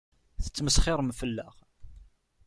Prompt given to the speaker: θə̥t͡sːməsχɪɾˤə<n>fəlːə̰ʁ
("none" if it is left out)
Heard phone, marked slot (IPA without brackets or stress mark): m